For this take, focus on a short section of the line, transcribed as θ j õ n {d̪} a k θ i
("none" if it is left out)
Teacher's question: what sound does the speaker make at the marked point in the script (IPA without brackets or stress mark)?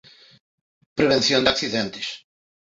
d̪